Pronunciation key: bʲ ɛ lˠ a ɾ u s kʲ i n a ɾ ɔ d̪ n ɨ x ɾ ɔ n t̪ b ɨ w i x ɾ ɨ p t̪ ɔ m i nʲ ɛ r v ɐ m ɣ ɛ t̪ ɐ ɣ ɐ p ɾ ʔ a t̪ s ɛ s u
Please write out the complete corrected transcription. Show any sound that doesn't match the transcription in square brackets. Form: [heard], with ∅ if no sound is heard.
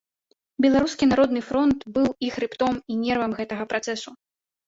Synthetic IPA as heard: bʲ ɛ lˠ a ɾ u s kʲ i n a ɾ ɔ d̪ n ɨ [f] ɾ ɔ n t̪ b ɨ w i x ɾ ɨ p t̪ ɔ m i nʲ ɛ r v ɐ m ɣ ɛ t̪ ɐ ɣ ɐ p ɾ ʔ a t̪ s ɛ s u